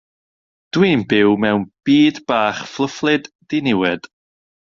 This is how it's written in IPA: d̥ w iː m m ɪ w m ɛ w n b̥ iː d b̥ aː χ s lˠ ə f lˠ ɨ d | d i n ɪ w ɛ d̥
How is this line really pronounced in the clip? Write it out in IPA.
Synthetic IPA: d̥ w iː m b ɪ w m ɛ w n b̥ iː d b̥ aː χ f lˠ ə f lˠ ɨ d | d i n ɪ w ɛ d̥